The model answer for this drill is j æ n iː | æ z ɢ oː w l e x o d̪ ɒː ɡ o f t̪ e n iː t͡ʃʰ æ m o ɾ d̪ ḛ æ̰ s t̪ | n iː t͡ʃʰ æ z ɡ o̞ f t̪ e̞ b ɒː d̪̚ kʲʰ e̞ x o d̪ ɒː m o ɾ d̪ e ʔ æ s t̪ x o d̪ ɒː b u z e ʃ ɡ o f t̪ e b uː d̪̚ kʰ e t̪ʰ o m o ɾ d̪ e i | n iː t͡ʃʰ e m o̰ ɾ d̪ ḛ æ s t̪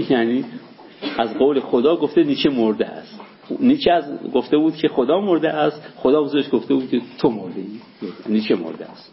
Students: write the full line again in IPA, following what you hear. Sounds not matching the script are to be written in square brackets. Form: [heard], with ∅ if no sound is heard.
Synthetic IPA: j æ n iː | æ z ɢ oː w l e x o d̪ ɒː ɡ o f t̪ e n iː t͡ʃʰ [e] m o ɾ d̪ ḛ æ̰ s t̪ | n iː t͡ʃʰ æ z ɡ o̞ f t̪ e̞ b [uː] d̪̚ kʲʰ e̞ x o d̪ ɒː m o ɾ d̪ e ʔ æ s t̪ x o d̪ ɒː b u z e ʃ ɡ o f t̪ e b uː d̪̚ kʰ e t̪ʰ o m o ɾ d̪ e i | n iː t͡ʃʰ e m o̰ ɾ d̪ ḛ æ s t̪